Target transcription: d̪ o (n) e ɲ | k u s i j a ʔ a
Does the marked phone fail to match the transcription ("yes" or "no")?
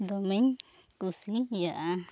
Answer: yes